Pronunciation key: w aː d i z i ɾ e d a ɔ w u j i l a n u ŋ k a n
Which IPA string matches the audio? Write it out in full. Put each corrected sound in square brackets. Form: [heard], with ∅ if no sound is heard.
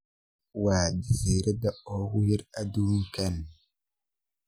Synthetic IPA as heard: w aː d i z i ɾ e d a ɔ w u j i [ɾ] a [d] u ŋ k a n